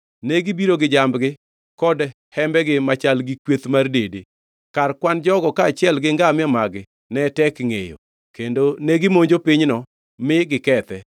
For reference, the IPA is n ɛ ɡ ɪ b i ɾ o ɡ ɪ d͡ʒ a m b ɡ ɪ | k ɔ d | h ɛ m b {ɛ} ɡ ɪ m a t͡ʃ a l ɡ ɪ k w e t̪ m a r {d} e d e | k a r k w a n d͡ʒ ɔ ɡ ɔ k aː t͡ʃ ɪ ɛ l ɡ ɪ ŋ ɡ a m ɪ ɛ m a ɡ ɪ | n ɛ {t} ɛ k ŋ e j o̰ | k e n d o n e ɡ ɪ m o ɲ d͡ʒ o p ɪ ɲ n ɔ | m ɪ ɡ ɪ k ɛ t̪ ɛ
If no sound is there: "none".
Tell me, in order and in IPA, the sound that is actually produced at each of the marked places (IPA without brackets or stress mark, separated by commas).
ɛ, d, t